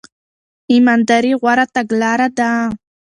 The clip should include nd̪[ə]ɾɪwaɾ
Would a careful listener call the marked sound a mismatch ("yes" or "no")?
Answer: yes